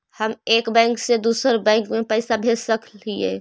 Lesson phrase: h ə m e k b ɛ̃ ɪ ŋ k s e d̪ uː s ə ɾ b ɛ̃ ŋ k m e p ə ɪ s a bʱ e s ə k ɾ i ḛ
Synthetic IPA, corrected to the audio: h ə m e k b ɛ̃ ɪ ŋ k s e d̪ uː s ə ɾ b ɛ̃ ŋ k m e p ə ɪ s a bʱ e s ə k l i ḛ

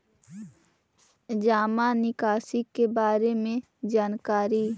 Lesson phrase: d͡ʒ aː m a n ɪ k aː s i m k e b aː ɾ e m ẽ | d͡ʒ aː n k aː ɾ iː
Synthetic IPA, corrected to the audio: d͡ʒ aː m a n ɪ k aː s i k e b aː ɾ e m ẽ | d͡ʒ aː n k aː ɾ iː

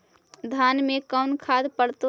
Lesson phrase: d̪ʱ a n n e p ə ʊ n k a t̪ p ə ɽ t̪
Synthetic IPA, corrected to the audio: d̪ʱ a n m e k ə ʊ n kʰ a d̪ p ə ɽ t̪

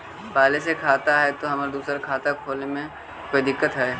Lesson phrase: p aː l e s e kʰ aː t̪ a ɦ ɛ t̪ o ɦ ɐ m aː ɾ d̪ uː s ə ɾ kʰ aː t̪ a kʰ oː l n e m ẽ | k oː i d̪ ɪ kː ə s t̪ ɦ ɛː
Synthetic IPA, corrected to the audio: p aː l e s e kʰ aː t̪ a ɦ ɛ t̪ o ɦ ɐ m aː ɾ d̪ uː s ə ɾ kʰ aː t̪ a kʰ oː l n e m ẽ | k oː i d̪ ɪ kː ə t̪ ɦ ɛː

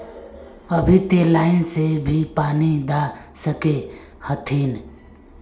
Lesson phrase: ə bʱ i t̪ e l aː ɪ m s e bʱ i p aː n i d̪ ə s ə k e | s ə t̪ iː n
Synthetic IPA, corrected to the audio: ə bʱ i t̪ e l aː ɪ n s e bʱ i p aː n i d̪ a s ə k e | h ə t̪ʰ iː n

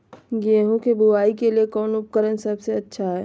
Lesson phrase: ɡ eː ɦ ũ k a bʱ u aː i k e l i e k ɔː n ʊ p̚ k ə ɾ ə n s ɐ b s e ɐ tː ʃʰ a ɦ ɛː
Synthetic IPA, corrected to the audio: ɡ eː ɦ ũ k e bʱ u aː i k e l i e k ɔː n ʊ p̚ k ə ɾ ə n s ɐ b s e ɐ tː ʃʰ a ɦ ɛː

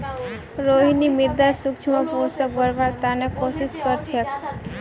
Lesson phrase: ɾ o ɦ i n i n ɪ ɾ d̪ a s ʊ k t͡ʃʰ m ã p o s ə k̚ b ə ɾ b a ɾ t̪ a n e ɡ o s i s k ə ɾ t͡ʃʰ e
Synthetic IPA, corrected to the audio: ɾ o ɦ i n i m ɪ ɾ d̪ a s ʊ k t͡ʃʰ m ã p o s ə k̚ b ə ɾ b a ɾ t̪ a n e k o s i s k ə ɾ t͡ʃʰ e

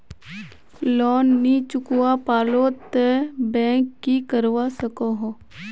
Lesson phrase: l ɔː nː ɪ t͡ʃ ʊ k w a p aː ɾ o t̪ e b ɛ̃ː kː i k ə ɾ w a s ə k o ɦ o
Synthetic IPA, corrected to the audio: l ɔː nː i t͡ʃ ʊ k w a p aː l o t̪ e b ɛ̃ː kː i k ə ɾ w a s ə k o ɦ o

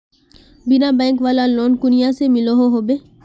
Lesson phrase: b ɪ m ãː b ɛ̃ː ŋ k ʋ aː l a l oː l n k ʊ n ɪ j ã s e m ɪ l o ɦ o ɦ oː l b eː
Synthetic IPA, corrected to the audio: b ɪ n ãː b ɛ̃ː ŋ k ʋ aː l a l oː n k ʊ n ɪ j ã s e m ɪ l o ɦ o ɦ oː b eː

